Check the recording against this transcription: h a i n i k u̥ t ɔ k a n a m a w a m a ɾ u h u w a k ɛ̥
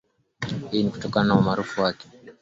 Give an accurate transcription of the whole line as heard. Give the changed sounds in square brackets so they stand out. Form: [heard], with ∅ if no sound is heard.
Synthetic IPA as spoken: h [i] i n i k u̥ t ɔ k a n a [n] a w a m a ɾ u [f] u w a k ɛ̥